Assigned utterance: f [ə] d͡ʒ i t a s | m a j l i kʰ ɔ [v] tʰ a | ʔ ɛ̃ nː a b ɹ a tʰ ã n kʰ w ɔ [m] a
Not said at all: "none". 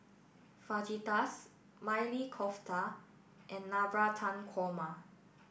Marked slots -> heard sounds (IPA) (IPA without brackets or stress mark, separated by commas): a, f, m